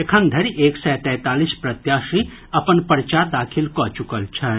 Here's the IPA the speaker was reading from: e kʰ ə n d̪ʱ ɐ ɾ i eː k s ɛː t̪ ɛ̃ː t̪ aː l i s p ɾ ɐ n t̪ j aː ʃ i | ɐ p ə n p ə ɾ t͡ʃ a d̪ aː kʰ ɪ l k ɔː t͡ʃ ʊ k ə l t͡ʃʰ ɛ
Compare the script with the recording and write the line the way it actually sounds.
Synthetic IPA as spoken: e kʰ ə n d̪ʱ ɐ ɾ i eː k s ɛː t̪ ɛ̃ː t̪ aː l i s p ɾ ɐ t̪ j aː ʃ i | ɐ p ə n p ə ɾ t͡ʃ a d̪ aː kʰ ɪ l k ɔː t͡ʃ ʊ k ə l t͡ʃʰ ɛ

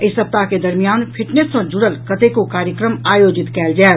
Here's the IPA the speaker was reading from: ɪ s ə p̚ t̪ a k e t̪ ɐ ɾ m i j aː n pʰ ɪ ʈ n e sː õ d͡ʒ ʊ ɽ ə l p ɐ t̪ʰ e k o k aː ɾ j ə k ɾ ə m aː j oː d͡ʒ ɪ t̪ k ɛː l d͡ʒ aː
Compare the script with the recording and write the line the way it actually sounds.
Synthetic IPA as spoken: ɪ s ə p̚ t̪ a k e d̪ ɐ ɾ m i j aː n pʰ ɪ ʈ n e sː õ d͡ʒ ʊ ɽ ə l k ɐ t̪ e k o k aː ɾ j ə k ɾ ə m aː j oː d͡ʒ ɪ t̪ k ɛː l d͡ʒ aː

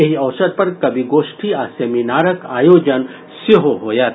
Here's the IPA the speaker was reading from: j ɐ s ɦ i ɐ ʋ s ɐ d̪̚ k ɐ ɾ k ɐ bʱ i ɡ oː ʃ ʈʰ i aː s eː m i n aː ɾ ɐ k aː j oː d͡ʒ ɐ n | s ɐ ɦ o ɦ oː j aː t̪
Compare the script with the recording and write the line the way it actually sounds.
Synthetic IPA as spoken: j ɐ ɦ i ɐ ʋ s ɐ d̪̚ p ɐ ɾ k ɐ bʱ i ɡ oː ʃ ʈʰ i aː s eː m i n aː ɾ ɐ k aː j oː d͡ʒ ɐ n | s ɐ ɦ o ɦ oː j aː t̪

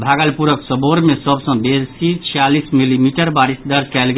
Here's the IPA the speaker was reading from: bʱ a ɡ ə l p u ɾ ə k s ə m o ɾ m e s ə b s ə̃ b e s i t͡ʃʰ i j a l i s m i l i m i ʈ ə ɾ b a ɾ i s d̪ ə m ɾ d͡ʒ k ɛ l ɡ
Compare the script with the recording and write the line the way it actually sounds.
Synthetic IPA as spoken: bʱ a ɡ ə l p u ɾ ə k s ə b o ɾ m e s ə b s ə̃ b e s i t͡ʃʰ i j a l i s m i l i m i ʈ ə ɾ b a ɾ i s d̪ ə ɾ d͡ʒ k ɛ l ɡ

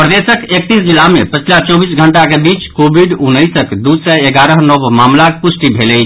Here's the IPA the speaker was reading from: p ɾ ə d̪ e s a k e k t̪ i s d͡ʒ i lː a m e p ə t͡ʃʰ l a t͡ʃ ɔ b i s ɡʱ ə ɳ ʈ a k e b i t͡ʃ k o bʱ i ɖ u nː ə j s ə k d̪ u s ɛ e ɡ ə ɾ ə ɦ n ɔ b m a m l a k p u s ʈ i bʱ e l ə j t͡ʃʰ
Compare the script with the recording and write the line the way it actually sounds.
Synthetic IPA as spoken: p ɾ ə d̪ e s ə k e k t̪ i s d͡ʒ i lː a m e p ə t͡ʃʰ l a t͡ʃ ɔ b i s ɡʱ ə ɳ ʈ a k e b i t͡ʃ k o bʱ i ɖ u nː ə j s ə k d̪ u s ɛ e ɡ a ɾ ə ɦ n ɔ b m a m l a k p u s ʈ i bʱ e l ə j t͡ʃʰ

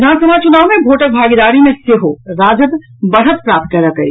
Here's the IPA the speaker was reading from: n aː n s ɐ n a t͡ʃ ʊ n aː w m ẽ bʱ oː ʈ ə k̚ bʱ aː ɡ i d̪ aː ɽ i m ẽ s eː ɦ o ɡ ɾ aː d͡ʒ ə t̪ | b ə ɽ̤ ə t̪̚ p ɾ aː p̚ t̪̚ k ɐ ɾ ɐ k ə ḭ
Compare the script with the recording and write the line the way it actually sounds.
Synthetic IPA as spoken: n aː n s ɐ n a t͡ʃ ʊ n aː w m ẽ bʱ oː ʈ ə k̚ bʱ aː ɡ i d̪ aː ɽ i m ẽ s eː ɦ o ɾ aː d͡ʒ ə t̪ | b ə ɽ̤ ə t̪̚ p ɾ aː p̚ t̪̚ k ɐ ɾ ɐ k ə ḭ

